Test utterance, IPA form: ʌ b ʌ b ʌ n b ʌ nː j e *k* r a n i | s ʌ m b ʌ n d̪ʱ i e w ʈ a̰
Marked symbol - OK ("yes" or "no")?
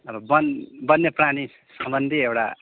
no